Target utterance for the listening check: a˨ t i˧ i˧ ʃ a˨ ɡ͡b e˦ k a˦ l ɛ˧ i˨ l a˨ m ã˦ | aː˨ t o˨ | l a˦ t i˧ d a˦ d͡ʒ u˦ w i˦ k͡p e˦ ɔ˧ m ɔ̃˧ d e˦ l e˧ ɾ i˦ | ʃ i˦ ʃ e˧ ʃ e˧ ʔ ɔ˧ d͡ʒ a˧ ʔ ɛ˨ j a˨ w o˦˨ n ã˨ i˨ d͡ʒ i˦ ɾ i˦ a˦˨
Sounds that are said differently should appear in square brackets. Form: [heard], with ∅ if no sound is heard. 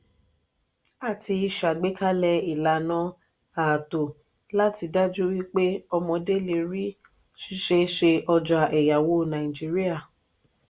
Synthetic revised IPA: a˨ t i˧ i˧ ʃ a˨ ɡ͡b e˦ k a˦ l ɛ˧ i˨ l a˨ [n] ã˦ | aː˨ t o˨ | l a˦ t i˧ d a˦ d͡ʒ u˦ w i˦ k͡p e˦ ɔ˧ m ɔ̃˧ d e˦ l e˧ ɾ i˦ | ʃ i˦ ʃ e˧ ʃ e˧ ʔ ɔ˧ d͡ʒ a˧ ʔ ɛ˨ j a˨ w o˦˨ n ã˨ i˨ d͡ʒ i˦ ɾ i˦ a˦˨

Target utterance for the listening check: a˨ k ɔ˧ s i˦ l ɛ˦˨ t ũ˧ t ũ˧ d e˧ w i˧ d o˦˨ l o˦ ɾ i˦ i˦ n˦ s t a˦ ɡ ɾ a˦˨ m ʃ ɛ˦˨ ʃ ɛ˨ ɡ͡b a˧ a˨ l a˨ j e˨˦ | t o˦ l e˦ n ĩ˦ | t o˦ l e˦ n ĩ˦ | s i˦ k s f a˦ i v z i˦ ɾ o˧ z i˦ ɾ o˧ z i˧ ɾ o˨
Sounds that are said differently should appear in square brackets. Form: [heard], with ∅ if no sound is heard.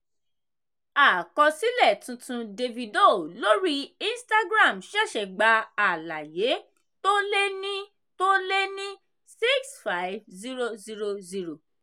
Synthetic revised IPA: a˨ k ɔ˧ s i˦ l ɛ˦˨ t ũ˧ t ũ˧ d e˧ [v] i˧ d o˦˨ l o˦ ɾ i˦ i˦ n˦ s t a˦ ɡ ɾ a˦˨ m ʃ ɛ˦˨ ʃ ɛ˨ ɡ͡b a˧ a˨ l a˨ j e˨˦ | t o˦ l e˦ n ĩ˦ | t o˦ l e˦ n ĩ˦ | s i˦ k s f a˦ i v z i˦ ɾ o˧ z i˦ ɾ o˧ z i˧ ɾ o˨

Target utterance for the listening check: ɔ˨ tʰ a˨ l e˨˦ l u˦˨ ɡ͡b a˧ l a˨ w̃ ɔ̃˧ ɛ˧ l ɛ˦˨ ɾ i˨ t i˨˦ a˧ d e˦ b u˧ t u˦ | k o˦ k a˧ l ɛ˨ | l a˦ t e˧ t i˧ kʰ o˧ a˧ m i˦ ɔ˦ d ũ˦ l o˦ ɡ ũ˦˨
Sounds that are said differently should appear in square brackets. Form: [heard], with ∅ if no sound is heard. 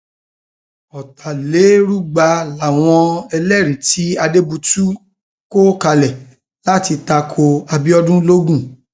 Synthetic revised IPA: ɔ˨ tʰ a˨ l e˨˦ [ɾ] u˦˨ ɡ͡b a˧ l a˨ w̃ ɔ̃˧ ɛ˧ l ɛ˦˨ ɾ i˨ t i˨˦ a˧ d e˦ b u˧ t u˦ | k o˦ k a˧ l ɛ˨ | l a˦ t [i˧] t [a˧] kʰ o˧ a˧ [b] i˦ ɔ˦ d ũ˦ l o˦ ɡ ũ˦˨

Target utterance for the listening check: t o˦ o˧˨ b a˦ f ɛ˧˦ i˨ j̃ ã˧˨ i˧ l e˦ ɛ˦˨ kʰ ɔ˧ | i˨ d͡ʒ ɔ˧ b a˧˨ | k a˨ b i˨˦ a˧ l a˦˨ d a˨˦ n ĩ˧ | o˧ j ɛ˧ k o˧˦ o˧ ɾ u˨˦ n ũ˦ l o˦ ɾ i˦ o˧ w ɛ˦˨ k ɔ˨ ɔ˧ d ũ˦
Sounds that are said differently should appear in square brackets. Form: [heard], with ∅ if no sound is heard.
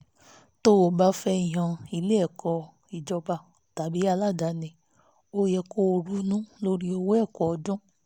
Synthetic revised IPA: t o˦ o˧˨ b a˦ f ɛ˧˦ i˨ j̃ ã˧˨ i˧ l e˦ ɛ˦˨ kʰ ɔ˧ | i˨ d͡ʒ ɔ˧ b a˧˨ | [t] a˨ b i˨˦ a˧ l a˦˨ d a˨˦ n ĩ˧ | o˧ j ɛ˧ k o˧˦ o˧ ɾ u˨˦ n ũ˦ l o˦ ɾ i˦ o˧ w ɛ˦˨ k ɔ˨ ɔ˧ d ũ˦

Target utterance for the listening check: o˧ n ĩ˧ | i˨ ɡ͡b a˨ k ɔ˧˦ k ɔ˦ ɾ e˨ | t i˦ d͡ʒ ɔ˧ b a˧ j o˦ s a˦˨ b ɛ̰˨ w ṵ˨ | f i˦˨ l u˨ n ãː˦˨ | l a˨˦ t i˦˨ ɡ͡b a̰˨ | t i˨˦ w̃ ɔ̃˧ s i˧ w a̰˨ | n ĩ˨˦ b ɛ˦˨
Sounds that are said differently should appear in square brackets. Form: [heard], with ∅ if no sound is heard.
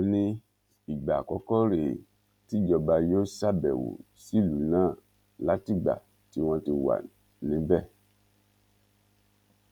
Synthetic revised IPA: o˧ n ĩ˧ | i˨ ɡ͡b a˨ k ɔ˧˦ k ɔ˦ ɾ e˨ | t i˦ d͡ʒ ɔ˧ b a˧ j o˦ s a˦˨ b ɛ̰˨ w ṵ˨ | [s] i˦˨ l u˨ n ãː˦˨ | l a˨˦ t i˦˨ ɡ͡b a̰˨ | t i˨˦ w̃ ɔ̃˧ [t] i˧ w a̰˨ | n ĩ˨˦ b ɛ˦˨

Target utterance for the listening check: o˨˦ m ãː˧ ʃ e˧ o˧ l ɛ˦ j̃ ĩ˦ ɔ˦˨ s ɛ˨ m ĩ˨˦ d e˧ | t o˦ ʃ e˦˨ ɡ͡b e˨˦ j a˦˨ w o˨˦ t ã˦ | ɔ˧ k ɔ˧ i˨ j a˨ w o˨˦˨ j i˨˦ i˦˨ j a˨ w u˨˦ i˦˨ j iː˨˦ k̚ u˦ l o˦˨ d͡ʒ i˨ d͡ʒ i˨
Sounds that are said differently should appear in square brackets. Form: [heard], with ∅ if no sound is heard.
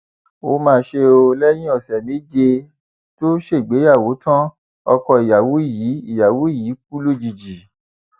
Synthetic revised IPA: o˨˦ m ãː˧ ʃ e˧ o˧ l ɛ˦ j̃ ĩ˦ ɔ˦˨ s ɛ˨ m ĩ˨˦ [d͡ʒ] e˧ | t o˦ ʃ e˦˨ ɡ͡b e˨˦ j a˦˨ w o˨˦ t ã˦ | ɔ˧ k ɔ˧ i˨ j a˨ w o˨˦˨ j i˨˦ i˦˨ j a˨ w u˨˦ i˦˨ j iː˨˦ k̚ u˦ l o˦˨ d͡ʒ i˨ d͡ʒ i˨

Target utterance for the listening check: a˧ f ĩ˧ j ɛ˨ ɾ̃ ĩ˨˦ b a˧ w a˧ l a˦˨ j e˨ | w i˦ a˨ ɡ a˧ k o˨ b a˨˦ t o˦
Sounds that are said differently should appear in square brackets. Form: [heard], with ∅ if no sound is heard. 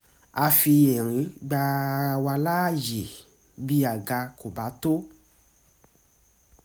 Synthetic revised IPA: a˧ f [i˧] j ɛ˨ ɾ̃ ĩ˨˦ [ɡ͡b] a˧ w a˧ l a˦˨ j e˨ | [b] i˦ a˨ ɡ a˧ k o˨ b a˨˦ t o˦

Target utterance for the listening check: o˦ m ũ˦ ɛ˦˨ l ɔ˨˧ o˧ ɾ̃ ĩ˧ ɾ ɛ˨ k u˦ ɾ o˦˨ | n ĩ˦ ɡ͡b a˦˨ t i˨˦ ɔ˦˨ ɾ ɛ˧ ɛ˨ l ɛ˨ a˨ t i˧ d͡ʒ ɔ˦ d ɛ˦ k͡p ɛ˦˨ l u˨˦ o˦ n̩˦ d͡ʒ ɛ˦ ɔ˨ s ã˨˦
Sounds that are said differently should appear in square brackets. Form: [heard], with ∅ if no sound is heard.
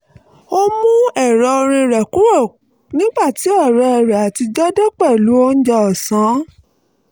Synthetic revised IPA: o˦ m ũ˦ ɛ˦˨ [ɾ] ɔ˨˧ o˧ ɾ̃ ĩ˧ ɾ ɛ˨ k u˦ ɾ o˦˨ | n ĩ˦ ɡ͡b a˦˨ t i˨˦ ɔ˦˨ ɾ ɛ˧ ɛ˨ [ɾ] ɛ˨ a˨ t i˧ d͡ʒ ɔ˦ d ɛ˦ k͡p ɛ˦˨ l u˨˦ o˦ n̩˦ d͡ʒ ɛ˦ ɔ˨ s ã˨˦

